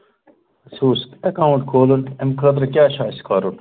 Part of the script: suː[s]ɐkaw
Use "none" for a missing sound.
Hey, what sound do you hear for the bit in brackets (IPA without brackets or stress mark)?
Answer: s